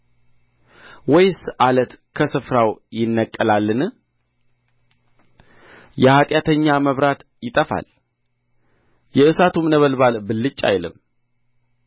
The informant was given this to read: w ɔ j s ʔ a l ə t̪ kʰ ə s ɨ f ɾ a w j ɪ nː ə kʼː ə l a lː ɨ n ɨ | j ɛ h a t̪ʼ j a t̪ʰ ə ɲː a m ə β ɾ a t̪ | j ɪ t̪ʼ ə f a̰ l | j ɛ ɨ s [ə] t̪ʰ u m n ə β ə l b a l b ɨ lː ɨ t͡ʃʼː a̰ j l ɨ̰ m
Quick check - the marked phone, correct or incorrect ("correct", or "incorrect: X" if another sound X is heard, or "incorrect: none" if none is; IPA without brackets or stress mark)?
incorrect: a